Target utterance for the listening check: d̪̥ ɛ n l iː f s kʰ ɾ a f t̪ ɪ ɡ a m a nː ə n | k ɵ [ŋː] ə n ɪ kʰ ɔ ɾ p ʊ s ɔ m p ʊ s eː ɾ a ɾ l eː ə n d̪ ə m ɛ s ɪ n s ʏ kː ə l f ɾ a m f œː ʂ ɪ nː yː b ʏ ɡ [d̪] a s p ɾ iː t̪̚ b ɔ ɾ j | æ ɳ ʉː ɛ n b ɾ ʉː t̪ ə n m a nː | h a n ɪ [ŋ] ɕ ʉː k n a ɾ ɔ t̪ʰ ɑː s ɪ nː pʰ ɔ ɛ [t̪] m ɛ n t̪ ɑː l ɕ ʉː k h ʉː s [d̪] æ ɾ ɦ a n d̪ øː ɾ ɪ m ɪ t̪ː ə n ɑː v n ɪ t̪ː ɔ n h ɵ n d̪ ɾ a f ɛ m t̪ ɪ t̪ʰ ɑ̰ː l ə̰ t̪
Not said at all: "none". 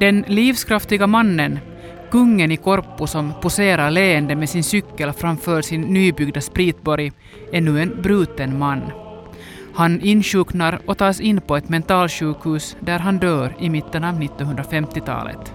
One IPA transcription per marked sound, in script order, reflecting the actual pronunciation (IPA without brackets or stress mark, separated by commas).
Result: ŋː, d̪, n, t̪, d̪